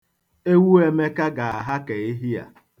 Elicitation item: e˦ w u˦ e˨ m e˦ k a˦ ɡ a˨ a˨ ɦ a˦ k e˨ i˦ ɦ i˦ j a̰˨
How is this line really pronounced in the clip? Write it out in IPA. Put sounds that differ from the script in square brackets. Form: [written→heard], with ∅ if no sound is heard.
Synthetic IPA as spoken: e˦ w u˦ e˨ m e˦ k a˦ ɡ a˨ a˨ ɦ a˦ k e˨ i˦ ɦ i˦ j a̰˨